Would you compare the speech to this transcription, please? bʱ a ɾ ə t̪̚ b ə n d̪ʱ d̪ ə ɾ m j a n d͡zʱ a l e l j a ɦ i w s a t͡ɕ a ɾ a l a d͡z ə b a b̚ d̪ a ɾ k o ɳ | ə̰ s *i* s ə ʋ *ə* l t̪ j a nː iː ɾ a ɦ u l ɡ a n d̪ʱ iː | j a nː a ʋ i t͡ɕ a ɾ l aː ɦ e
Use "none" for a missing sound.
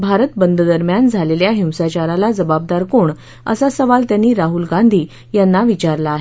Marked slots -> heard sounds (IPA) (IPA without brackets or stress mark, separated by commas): a, a